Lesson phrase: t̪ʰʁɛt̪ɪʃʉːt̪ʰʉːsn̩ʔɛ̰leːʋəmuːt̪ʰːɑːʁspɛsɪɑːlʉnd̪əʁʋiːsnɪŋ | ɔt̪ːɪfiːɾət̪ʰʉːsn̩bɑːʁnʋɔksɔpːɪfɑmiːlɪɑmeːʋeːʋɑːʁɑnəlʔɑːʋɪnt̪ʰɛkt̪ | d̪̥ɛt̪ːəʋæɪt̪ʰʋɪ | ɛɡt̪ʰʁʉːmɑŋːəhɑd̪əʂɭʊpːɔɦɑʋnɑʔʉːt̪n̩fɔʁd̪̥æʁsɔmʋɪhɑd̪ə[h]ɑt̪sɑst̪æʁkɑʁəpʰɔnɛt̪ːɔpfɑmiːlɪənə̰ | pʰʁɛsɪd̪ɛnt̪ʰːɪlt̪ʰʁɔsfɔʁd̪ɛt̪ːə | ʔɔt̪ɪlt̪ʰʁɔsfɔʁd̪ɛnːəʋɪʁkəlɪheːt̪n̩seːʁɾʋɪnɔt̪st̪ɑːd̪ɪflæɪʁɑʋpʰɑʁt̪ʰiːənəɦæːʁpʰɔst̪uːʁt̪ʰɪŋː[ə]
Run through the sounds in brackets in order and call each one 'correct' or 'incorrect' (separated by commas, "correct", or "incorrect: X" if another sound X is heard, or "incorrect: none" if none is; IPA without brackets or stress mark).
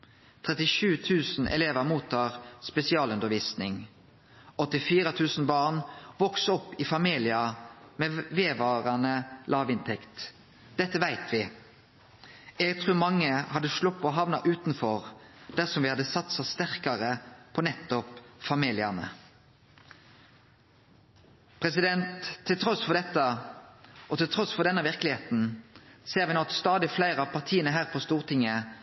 incorrect: s, correct